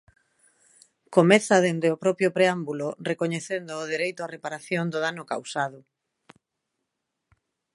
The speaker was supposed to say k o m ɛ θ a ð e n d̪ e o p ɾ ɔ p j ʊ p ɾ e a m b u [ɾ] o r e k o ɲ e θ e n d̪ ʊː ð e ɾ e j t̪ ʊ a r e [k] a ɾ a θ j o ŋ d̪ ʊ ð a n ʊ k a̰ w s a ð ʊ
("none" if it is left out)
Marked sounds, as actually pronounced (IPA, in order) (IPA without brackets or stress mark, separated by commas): l, p